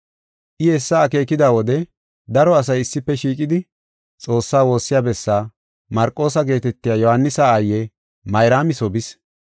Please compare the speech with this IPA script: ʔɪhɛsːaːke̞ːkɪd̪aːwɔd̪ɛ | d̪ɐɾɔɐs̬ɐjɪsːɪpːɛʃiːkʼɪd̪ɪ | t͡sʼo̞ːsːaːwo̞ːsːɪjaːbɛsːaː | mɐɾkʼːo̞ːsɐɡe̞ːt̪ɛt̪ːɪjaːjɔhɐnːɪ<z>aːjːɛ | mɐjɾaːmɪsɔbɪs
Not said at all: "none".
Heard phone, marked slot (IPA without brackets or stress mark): s